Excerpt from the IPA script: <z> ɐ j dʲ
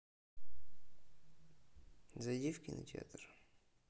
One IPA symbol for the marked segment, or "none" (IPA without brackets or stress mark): z